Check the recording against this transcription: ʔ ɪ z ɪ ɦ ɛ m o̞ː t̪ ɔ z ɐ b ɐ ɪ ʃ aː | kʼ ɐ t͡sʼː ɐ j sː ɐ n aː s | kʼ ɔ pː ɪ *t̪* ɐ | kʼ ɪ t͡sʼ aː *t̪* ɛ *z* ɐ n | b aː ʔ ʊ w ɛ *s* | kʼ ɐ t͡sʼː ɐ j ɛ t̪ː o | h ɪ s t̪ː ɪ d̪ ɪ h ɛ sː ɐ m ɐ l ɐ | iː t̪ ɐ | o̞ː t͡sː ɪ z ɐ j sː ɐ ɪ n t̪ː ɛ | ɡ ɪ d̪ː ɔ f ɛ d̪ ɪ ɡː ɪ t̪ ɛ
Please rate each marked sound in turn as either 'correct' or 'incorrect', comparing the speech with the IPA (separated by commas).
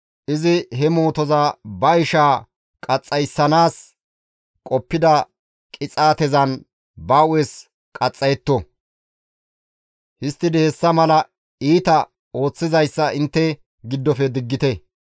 incorrect, correct, correct, correct